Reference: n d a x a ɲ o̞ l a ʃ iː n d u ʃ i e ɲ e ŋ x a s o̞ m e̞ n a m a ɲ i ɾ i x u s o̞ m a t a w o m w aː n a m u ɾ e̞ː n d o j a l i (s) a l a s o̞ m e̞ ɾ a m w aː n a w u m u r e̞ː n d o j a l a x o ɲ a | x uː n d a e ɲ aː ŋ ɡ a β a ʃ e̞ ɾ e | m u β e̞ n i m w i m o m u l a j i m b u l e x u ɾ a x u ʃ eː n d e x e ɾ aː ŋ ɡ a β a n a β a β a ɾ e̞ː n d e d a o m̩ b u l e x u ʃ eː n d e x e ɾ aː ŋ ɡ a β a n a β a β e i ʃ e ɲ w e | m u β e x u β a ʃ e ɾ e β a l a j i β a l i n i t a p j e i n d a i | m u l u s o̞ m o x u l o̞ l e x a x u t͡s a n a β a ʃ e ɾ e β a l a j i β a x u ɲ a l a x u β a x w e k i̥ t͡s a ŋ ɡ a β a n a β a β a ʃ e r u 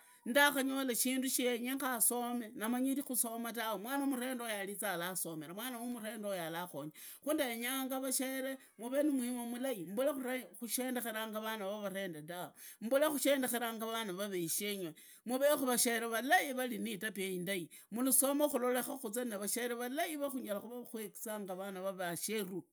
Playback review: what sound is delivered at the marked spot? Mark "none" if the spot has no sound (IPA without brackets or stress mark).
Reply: t͡s